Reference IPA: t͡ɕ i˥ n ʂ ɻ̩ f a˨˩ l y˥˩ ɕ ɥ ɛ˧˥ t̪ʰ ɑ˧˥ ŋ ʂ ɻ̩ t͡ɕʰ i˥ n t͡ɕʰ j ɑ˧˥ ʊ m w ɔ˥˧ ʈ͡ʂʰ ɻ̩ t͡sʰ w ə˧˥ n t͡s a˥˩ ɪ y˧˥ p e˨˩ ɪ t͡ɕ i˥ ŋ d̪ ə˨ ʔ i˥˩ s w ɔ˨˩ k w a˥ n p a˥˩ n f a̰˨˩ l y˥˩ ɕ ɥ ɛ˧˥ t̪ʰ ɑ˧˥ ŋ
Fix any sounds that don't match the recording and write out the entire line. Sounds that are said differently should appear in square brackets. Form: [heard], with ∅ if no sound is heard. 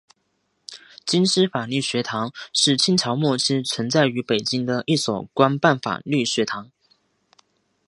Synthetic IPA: t͡ɕ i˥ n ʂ ɻ̩ f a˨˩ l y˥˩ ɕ ɥ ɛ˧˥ t̪ʰ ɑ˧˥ ŋ ʂ ɻ̩ t͡ɕʰ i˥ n t͡ɕʰ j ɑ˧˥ ʊ m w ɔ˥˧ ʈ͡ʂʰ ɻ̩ t͡sʰ w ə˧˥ n t͡s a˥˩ ɪ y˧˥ p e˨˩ ɪ t͡ɕ i˥ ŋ d̪ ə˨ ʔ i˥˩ s w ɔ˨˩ k w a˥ n p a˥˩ n f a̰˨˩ l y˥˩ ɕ ɥ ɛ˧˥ t̪ʰ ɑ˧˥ ŋ